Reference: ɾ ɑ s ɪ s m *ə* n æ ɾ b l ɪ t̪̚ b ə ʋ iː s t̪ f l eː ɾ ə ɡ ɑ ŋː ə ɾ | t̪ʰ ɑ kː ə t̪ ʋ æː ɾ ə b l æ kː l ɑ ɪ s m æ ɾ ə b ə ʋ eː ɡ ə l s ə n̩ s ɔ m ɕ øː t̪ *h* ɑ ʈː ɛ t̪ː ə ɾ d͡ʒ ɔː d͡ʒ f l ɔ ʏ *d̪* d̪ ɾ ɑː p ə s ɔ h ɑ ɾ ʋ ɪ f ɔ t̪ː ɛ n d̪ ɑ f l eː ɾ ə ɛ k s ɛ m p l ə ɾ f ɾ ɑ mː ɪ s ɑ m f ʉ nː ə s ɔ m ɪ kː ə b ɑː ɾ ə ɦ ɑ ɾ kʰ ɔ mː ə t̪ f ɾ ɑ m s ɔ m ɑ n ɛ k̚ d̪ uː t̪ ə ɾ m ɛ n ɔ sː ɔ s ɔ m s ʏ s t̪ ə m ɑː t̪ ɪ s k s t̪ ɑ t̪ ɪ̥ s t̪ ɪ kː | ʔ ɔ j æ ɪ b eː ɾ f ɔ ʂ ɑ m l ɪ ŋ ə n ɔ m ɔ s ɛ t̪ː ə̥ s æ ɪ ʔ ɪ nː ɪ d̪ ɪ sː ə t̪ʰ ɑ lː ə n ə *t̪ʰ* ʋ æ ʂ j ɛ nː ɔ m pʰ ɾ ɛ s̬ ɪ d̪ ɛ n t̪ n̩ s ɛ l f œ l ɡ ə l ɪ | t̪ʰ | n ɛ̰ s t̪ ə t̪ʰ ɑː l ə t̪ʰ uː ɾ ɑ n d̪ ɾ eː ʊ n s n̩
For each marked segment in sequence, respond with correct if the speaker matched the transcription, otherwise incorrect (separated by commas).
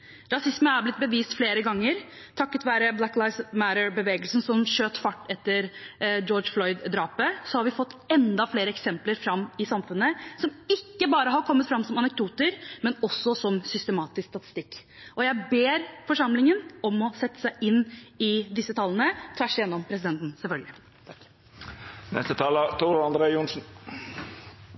correct, incorrect, correct, correct